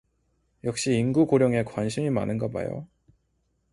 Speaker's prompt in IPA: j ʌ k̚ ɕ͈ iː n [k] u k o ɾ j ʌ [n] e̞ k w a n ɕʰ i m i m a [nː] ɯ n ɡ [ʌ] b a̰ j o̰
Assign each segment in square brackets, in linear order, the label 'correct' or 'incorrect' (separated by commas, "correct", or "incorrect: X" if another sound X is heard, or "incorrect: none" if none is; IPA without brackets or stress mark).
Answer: incorrect: ɡ, incorrect: ŋ, incorrect: n, correct